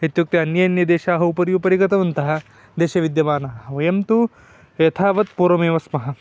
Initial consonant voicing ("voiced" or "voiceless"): voiceless